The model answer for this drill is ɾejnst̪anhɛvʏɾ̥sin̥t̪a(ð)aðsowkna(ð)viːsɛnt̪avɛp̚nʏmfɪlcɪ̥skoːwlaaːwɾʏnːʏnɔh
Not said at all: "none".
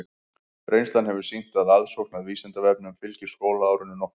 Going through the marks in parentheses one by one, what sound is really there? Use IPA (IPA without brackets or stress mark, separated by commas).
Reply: ð, ð